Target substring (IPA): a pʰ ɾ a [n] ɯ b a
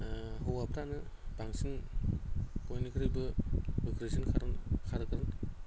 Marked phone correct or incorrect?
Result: correct